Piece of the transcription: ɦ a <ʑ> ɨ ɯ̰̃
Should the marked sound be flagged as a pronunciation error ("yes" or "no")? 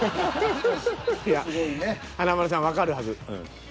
yes